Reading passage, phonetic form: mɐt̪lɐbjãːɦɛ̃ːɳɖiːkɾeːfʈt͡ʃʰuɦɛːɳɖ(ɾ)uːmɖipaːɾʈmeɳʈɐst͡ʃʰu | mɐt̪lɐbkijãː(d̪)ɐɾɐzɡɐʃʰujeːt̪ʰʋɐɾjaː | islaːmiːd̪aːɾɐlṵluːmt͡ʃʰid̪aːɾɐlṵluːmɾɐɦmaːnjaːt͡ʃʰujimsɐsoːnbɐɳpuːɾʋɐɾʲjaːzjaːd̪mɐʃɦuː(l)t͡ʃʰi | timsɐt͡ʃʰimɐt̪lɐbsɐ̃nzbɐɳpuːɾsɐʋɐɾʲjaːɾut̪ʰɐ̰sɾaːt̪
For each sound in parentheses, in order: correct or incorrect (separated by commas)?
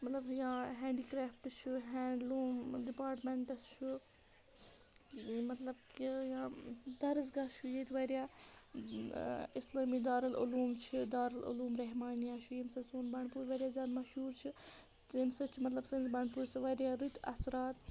incorrect, correct, incorrect